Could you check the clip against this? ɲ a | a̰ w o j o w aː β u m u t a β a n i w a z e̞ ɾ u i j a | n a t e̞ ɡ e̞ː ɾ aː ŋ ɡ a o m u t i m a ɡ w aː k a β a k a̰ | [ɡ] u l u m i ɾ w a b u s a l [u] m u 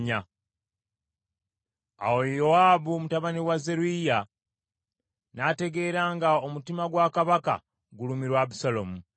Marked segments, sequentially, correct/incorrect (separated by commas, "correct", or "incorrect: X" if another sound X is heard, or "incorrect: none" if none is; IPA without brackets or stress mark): correct, incorrect: o